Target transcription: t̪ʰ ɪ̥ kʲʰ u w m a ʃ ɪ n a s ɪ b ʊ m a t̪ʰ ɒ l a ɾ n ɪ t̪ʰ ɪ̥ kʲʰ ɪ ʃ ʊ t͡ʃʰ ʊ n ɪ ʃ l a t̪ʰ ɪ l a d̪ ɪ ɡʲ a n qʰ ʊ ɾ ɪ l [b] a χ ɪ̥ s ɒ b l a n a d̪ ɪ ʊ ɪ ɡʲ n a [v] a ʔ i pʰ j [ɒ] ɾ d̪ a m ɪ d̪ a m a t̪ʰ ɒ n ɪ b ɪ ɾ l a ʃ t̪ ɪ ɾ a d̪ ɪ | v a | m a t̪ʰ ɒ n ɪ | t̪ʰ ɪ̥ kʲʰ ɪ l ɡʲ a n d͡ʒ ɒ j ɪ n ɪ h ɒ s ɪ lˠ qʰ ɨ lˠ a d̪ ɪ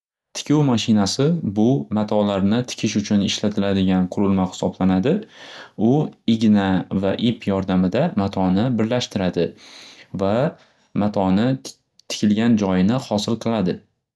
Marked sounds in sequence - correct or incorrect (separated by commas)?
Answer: incorrect, correct, correct